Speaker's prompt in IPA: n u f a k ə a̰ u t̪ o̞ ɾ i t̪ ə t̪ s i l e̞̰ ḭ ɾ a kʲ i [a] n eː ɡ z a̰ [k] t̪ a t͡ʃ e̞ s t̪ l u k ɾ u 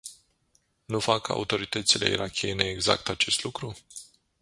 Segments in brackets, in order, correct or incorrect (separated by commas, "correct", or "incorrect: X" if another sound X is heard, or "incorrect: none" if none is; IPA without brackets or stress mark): incorrect: e, correct